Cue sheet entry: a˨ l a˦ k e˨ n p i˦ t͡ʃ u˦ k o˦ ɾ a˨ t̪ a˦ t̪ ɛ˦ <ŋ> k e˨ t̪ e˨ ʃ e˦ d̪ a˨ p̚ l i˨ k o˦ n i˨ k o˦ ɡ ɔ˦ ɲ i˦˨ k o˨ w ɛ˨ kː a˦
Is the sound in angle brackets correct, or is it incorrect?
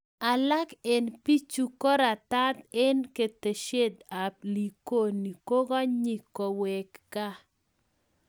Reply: incorrect: n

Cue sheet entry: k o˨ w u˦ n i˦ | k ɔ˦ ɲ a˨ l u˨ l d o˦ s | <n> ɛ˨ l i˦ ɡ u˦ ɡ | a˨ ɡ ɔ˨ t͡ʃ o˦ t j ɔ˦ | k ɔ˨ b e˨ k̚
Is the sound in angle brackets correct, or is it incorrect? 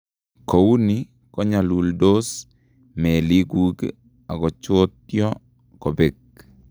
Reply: incorrect: m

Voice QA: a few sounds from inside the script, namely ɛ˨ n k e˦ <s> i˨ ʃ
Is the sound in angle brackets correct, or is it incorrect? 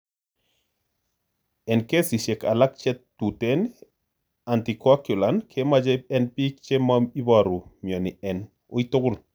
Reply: correct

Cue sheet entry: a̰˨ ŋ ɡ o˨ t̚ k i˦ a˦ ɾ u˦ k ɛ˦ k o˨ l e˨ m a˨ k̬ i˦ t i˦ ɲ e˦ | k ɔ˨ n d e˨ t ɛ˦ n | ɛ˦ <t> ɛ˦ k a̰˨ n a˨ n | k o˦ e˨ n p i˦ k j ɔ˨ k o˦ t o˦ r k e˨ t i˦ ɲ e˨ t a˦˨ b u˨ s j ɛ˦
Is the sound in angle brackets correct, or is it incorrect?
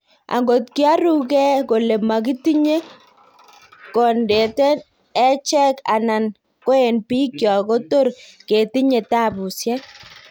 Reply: incorrect: t͡ʃ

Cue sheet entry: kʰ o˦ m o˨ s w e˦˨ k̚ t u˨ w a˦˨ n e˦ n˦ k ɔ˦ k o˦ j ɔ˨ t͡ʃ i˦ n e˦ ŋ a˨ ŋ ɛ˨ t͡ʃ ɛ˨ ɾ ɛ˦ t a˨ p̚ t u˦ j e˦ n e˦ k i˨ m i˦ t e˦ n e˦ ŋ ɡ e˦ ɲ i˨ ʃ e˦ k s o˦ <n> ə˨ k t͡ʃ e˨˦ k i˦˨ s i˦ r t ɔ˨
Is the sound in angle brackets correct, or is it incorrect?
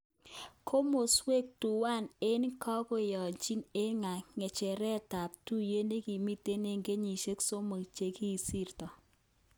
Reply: incorrect: m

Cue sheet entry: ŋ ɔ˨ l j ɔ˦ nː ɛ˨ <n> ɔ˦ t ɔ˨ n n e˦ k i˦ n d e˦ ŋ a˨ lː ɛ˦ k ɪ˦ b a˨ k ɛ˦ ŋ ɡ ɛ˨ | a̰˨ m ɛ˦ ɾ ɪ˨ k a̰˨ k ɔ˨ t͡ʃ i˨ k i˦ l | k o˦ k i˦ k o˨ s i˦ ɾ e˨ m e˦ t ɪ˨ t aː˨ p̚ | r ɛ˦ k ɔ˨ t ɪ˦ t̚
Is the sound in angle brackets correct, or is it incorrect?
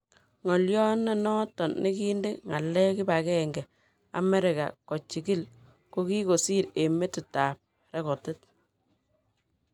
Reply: correct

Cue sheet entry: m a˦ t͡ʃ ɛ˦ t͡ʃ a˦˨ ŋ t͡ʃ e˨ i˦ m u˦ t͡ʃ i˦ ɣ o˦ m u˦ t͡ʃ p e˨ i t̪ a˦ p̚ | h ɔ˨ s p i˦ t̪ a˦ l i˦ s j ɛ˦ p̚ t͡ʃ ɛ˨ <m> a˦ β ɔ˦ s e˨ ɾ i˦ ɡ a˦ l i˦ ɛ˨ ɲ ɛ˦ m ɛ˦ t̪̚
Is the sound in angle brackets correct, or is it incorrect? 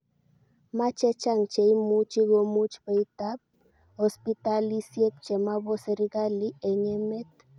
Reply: correct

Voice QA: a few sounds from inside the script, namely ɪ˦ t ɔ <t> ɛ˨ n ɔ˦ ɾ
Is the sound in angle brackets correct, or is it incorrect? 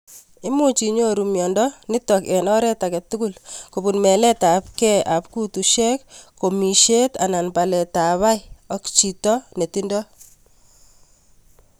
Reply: incorrect: k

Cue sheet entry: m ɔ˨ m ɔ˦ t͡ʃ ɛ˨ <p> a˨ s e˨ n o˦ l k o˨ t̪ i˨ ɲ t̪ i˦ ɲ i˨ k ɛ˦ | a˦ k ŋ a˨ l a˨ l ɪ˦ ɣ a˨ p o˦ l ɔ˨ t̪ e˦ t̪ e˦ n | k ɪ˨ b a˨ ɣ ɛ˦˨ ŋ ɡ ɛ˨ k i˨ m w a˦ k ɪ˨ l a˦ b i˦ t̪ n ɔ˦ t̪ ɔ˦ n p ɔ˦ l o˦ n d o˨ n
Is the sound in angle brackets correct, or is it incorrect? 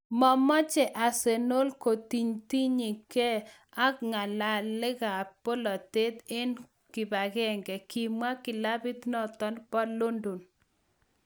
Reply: incorrect: ʔ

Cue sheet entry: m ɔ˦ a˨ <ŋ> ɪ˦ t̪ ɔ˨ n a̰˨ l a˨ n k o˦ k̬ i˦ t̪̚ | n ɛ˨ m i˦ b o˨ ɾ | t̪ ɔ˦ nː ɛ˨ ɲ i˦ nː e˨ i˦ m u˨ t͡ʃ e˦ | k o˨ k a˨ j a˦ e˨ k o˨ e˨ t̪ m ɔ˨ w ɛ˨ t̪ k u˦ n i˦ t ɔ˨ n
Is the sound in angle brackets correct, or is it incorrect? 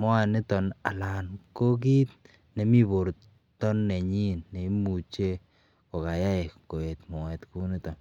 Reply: incorrect: n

